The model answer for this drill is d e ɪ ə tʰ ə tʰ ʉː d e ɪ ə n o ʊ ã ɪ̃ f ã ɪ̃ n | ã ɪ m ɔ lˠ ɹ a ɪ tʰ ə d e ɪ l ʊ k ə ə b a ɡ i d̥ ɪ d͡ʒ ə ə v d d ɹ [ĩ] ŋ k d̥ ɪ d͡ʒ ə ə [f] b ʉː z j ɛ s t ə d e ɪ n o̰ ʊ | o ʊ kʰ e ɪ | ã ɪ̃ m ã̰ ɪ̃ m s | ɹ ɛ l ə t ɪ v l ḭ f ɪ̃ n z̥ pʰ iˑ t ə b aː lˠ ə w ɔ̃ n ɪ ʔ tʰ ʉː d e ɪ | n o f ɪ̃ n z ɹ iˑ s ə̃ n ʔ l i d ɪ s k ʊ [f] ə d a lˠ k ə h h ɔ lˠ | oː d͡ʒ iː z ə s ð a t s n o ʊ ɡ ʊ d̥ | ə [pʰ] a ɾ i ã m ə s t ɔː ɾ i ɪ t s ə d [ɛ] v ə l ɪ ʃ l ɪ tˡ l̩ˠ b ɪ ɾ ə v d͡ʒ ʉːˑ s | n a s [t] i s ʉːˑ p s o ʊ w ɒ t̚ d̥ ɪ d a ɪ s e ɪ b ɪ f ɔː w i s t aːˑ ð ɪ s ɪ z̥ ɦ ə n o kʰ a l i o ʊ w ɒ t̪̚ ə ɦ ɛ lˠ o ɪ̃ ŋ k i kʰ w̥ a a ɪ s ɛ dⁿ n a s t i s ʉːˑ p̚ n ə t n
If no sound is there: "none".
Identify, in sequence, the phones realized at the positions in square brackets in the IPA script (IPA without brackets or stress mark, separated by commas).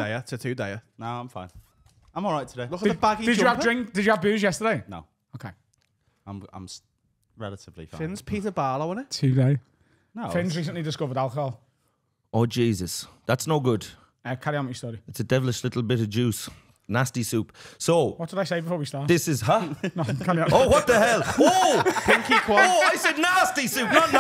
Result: ɪ̃, v, v, kʰ, ɛ, t